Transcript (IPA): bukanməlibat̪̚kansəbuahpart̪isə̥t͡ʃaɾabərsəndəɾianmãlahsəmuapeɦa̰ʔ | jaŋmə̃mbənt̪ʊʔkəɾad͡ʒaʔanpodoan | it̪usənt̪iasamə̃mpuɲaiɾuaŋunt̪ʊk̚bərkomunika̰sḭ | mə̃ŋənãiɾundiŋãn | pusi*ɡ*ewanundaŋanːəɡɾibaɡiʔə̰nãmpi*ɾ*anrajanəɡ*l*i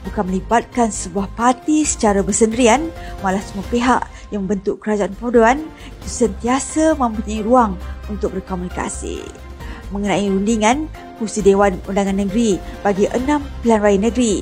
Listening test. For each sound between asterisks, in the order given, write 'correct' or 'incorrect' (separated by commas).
incorrect, incorrect, incorrect